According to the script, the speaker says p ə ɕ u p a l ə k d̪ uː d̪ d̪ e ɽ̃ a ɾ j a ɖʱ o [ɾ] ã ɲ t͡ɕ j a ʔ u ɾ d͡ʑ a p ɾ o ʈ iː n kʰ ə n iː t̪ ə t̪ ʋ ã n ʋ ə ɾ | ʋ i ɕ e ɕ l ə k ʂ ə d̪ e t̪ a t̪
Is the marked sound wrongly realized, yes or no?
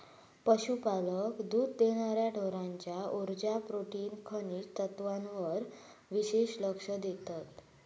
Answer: no